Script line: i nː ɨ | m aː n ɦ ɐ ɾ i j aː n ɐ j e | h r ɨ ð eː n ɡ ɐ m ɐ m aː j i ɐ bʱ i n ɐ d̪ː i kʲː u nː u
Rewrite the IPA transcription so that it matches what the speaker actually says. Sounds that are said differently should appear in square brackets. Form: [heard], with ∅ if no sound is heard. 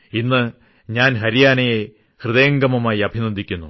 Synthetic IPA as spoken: i nː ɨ | [ɲ] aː n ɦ ɐ ɾ i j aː n ɐ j e | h r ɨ ð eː [ŋ] ɡ ɐ m ɐ m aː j i ɐ bʱ i n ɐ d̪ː i kʲː u nː u